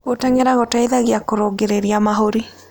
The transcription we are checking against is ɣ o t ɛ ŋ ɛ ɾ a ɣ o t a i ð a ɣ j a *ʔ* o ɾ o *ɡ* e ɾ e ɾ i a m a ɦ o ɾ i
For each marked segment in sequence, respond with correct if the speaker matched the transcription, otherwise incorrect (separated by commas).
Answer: incorrect, correct